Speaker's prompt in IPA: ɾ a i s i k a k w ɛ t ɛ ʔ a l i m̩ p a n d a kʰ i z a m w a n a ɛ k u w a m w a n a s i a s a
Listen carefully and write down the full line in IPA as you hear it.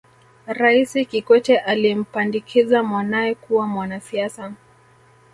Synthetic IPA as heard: ɾ a i s i k i k w ɛ t ɛ ʔ a l i m̩ p a n d i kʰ i z a m w a n a ɛ k u w a m w a n a s i a s a